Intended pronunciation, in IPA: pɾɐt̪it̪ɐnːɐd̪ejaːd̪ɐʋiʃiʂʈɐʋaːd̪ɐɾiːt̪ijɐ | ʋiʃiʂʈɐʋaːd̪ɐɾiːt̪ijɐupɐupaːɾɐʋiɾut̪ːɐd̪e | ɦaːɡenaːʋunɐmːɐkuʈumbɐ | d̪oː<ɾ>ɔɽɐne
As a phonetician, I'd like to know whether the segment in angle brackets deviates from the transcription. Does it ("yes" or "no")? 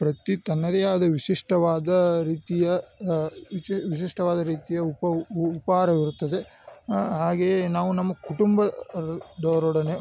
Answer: no